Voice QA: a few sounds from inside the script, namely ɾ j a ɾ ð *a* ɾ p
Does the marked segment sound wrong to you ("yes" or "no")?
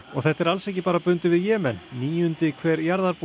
no